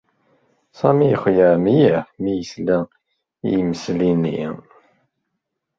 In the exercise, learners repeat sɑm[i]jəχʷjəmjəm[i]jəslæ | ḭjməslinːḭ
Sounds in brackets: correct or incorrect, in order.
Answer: correct, correct

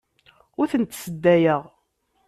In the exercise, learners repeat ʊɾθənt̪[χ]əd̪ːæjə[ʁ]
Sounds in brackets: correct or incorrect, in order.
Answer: incorrect, correct

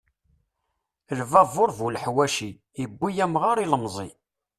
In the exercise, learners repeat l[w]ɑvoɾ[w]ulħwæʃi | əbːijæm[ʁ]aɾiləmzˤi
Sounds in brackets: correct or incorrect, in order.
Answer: incorrect, incorrect, correct

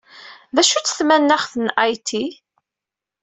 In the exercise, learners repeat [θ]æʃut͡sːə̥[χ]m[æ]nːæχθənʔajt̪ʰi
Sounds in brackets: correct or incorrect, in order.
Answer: incorrect, incorrect, correct

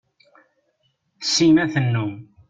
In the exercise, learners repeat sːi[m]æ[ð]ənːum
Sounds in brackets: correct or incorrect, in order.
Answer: correct, incorrect

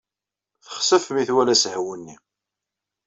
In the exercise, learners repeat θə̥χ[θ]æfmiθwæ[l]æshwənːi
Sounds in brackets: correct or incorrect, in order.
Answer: incorrect, correct

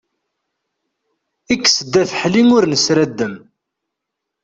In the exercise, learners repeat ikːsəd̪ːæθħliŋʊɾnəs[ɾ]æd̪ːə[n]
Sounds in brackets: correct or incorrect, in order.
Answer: correct, incorrect

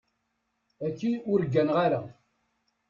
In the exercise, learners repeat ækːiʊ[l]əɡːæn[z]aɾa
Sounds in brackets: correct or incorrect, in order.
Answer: incorrect, incorrect

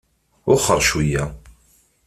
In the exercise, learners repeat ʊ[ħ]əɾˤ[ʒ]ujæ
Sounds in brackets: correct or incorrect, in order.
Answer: incorrect, incorrect

